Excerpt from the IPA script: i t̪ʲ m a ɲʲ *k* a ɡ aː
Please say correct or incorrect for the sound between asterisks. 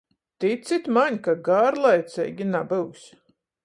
correct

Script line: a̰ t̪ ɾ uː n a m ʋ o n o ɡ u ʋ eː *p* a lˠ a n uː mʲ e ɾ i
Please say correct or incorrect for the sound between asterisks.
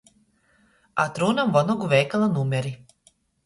incorrect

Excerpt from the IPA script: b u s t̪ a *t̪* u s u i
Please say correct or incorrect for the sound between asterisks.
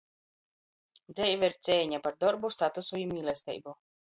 correct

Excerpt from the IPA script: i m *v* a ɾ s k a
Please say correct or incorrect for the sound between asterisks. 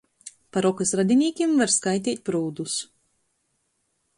correct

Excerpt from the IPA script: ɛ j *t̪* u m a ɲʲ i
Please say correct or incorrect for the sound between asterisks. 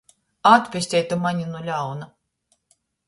correct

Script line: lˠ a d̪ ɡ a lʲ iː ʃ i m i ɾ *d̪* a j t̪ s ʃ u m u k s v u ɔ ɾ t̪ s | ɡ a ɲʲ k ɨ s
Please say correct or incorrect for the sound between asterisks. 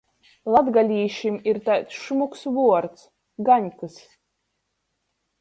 incorrect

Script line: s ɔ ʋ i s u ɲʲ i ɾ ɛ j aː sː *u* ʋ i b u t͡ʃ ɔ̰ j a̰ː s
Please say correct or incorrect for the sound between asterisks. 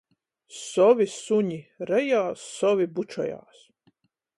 incorrect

